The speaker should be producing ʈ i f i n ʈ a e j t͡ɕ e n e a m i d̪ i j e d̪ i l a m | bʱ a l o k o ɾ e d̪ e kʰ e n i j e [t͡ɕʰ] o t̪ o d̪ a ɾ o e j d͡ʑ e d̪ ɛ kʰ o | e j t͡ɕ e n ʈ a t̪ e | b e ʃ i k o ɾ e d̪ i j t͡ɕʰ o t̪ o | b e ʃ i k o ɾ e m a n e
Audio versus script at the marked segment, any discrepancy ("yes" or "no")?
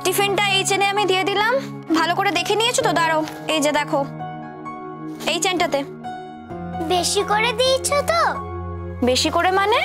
no